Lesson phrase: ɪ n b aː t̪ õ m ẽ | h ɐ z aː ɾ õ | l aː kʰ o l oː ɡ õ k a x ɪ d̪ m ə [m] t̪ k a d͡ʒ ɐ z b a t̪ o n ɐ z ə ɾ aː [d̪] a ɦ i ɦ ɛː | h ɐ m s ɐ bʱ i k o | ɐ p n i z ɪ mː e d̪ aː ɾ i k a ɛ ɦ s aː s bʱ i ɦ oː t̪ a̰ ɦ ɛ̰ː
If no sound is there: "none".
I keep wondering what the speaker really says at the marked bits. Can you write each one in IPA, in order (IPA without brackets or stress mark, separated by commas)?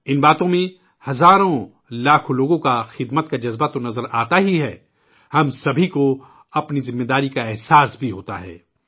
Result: none, t̪